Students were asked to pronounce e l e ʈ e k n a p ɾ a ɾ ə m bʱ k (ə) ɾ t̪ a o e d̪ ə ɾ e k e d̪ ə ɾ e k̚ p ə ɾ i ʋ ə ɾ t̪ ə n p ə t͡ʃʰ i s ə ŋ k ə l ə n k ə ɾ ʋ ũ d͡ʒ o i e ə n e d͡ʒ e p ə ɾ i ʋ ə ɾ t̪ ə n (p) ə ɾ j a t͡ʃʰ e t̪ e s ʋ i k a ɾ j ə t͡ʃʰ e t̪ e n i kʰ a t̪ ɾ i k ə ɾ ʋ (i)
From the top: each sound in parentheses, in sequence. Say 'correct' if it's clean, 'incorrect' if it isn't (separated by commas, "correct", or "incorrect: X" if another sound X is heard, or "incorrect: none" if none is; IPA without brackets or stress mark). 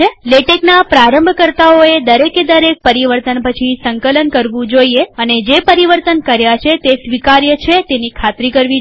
correct, incorrect: k, correct